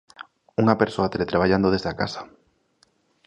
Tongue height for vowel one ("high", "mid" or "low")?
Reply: high